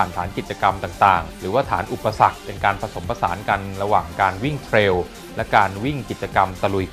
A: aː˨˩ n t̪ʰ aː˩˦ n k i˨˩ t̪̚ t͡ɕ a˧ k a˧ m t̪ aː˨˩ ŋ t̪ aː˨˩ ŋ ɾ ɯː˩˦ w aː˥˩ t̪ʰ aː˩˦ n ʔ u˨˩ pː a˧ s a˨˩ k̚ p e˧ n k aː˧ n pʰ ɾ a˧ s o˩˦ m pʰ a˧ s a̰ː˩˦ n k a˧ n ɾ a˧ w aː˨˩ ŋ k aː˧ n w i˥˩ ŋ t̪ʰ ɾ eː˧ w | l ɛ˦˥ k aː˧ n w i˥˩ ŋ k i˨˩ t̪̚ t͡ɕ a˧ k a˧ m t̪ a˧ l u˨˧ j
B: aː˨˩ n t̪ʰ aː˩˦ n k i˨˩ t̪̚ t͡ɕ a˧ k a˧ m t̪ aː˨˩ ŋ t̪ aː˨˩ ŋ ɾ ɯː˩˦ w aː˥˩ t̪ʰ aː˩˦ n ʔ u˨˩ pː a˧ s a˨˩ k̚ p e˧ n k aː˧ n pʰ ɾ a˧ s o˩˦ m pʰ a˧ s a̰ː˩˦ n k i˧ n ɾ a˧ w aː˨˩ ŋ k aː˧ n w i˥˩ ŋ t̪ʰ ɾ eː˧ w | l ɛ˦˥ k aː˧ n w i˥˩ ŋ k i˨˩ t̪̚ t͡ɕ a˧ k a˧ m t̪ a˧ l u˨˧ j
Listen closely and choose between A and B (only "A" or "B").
A